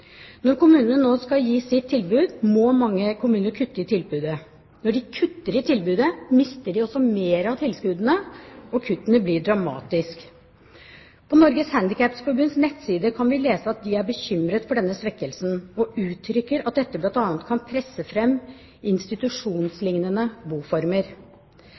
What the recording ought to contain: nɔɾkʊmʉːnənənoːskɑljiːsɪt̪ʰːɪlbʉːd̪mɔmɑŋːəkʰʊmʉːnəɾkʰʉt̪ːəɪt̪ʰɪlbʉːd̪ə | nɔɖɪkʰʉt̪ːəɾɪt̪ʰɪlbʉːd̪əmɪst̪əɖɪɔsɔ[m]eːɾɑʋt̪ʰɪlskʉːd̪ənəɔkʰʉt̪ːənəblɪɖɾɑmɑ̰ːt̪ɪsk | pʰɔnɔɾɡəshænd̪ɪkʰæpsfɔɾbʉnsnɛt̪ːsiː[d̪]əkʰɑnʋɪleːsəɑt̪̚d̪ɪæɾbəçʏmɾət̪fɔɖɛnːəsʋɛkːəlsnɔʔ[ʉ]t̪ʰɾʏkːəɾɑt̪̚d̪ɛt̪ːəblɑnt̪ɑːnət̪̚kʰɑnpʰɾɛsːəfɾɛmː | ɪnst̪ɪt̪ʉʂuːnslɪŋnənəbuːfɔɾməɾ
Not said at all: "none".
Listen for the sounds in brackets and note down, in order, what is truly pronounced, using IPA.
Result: m, d̪, ʉː

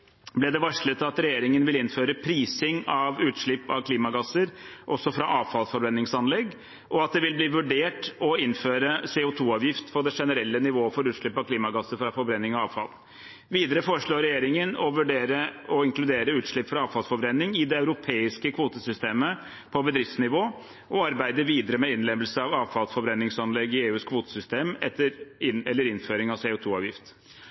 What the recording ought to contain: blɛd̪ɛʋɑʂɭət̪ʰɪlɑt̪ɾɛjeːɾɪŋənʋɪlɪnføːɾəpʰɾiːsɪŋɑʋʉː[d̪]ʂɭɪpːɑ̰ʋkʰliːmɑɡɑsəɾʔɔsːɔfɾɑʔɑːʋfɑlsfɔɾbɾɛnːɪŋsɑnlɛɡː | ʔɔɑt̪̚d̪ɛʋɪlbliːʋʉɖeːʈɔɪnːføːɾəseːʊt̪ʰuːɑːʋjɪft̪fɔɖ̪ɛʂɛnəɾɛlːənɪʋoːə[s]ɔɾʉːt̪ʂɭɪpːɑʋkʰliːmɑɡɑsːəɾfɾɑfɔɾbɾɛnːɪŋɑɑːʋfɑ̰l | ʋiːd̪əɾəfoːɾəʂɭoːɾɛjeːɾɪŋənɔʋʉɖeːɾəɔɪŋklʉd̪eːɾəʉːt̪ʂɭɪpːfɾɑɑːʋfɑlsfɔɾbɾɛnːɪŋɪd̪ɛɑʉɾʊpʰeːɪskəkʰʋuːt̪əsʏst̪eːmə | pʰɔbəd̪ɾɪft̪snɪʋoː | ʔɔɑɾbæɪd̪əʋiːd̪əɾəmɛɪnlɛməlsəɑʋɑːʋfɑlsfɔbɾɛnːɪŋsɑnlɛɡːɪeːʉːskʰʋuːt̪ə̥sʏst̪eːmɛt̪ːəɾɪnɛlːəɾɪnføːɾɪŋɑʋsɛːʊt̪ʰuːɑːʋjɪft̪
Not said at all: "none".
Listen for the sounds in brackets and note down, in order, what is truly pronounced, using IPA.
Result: t̪, f

